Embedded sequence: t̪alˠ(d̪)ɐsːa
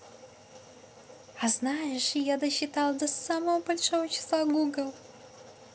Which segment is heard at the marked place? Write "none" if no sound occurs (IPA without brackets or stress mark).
d̪